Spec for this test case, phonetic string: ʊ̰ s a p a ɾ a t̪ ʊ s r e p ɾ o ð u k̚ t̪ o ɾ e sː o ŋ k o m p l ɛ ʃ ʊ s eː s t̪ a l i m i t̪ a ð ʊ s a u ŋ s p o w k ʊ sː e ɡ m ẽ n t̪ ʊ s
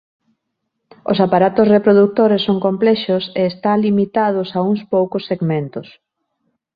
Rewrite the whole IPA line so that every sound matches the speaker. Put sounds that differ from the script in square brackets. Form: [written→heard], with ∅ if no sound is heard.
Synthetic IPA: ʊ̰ s a p a ɾ a t̪ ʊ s r e p ɾ o ð u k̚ t̪ o ɾ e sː o ŋ k o m p l ɛ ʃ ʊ s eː s t̪ a l i m i t̪ a ð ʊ s a u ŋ s p o w k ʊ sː e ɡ m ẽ n t̪ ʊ s